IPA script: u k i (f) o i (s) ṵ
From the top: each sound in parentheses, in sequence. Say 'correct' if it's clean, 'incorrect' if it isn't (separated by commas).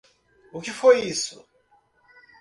correct, correct